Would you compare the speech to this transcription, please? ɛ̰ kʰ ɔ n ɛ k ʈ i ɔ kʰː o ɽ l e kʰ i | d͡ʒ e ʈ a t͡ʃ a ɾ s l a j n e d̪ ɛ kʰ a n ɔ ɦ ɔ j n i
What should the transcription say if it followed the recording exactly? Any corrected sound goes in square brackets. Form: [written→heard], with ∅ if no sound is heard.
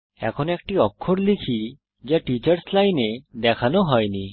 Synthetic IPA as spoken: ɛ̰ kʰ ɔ n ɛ k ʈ i ɔ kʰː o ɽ l [e→i] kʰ i | d͡ʒ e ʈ [a→i] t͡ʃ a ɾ s l a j n e d̪ ɛ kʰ a n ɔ ɦ ɔ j n i

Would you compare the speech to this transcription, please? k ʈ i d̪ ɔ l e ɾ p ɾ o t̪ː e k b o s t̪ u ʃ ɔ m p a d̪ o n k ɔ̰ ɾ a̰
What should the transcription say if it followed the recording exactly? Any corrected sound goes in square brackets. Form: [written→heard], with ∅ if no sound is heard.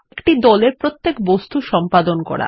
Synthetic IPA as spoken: k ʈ i d̪ ɔ l e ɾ p ɾ o t̪ː e k b o s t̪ u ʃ ɔ m p a d̪ o n k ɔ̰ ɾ a̰

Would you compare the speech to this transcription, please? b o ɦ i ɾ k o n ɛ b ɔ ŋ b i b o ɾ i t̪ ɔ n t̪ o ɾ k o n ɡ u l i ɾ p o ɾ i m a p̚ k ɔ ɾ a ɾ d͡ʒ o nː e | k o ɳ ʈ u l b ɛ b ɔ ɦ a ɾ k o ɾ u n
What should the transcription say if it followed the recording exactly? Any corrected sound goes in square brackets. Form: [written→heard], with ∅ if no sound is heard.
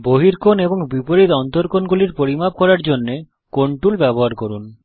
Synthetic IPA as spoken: b o ɦ i ɾ k o n [ɛ→e] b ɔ ŋ b i [b→p] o ɾ i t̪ ɔ n t̪ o ɾ k o n ɡ u l i ɾ p o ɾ i m a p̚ k ɔ ɾ a ɾ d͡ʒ o nː e | k o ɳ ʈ u l b ɛ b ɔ ɦ a ɾ k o ɾ u n

